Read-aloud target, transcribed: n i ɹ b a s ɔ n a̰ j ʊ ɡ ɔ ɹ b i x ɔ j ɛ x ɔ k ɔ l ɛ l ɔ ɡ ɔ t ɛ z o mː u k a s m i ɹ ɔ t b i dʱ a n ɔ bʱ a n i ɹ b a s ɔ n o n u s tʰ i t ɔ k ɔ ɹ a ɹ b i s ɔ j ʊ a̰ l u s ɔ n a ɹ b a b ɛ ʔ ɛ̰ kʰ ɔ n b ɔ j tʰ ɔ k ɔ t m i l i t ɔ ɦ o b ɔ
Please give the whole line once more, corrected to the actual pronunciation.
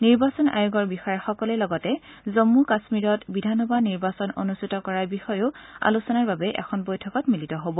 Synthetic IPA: n i ɹ b a s ɔ n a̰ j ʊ ɡ ɔ ɹ b i x ɔ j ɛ x ɔ k ɔ l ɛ l ɔ ɡ ɔ t ɛ z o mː u k a s m i ɹ ɔ t b i dʱ a n ɔ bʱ a n i ɹ b a s ɔ n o n u s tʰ i t ɔ k ɔ ɹ a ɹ b i x ɔ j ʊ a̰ l u s ɔ n a ɹ b a b ɛ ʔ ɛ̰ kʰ ɔ n b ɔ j tʰ ɔ k ɔ t m i l i t ɔ ɦ o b ɔ

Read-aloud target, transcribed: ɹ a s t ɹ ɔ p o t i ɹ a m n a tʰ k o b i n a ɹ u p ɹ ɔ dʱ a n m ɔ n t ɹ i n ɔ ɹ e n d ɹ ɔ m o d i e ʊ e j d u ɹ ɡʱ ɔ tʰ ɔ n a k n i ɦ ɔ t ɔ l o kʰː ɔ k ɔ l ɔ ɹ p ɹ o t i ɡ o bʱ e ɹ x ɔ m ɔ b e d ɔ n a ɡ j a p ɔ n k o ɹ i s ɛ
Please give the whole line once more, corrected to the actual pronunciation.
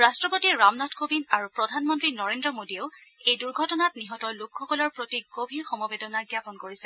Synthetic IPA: ɹ a s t ɹ ɔ p o t i ɹ a m n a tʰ k o b i n a ɹ u p ɹ ɔ dʱ a n m ɔ n t ɹ i n ɔ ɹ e n d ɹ ɔ m o d i e ʊ e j d u ɹ ɡʱ ɔ t ɔ n a t n i ɦ ɔ t ɔ l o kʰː ɔ k ɔ l ɔ ɹ p ɹ o t i ɡ o bʱ i ɹ x ɔ m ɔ b e d ɔ n a ɡ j a p ɔ n k o ɹ i s ɛ

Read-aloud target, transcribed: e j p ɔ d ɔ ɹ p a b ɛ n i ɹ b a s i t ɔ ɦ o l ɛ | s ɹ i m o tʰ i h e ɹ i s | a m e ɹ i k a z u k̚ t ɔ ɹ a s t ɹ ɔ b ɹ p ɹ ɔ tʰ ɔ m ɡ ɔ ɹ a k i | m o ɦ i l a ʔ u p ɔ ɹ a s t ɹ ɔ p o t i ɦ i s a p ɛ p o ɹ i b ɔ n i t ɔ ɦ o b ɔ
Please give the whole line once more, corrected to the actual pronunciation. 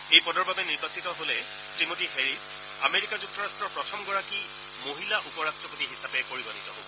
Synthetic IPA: e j p ɔ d ɔ ɹ b a b ɛ n i ɹ b a s i t ɔ ɦ o l ɛ | s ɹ i m o t i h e ɹ i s | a m e ɹ i k a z u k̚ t ɔ ɹ a s t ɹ ɔ ɹ p ɹ ɔ tʰ ɔ m ɡ ɔ ɹ a k i | m o ɦ i l a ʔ u p ɔ ɹ a s t ɹ ɔ p o t i ɦ i s a p ɛ p o ɹ i b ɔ n i t ɔ ɦ o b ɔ

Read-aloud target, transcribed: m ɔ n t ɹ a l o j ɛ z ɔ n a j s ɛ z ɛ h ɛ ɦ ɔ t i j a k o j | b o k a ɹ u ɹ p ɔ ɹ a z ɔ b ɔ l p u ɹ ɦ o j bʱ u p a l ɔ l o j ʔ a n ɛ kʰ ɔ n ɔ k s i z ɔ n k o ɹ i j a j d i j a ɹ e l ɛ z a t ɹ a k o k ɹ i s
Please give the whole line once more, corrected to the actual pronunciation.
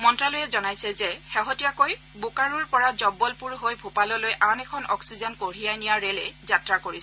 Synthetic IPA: m ɔ n t ɹ a l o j ɛ z ɔ n a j s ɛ z ɛ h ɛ ɦ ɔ t i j a k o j | b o k a ɹ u ɹ p ɔ ɹ a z ɔ b ɔ l p u ɹ ɦ o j bʱ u p a l ɔ l o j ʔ a n ɛ kʰ ɔ n ɔ k s i z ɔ n k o ɹ i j a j n i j a ɹ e l ɛ z a t ɹ a k o ɹ i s

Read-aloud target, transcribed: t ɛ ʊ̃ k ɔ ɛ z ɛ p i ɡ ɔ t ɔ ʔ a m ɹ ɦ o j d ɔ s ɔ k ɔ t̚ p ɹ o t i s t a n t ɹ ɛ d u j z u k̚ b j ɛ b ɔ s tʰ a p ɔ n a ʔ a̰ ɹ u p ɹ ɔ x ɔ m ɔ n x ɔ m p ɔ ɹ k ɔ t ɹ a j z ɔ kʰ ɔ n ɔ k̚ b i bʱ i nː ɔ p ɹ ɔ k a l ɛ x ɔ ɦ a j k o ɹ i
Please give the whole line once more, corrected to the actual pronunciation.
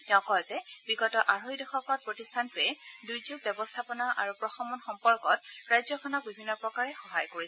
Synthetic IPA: t ɛ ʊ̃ k ɔ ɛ z ɛ b i ɡ ɔ t ɔ ʔ a ɹ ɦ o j d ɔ x ɔ k ɔ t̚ p ɹ o t i s tʰ a n t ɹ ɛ d u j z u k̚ b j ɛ b ɔ s tʰ a p ɔ n a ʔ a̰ ɹ u p ɹ ɔ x ɔ m ɔ n x ɔ m p ɔ ɹ k ɔ t ɹ a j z ɔ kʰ ɔ n ɔ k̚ b i bʱ i nː ɔ p ɹ ɔ k a ɹ ɛ x ɔ ɦ a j k o ɹ i

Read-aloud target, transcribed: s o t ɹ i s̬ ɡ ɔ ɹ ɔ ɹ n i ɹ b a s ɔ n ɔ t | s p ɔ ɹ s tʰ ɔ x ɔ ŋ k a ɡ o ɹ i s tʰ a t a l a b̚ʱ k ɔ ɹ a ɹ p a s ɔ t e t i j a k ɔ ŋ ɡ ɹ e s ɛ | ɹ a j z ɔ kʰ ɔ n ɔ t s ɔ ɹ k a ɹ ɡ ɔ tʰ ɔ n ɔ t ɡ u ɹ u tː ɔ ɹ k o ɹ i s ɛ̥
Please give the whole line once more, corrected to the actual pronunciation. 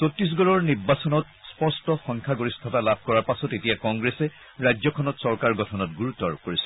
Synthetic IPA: s o t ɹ i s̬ ɡ ɔ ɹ ɔ ɹ n i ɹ b a s ɔ n ɔ t | s p ɔ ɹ s t ɔ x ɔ ŋ kʰ a ɡ o ɹ i s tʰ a t a l a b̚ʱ k ɔ ɹ a ɹ p a s ɔ t e t i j a k ɔ ŋ ɡ ɹ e s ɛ | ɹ a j z ɔ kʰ ɔ n ɔ t s ɔ ɹ k a ɹ ɡ ɔ tʰ ɔ n ɔ t ɡ u ɹ u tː ɔ ɹ k o ɹ i s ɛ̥

